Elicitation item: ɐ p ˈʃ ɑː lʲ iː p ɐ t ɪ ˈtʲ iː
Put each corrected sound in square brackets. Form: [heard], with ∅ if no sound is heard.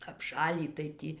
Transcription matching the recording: ɐ p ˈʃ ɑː lʲ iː [t] ɐ [∅] ɪ ˈtʲ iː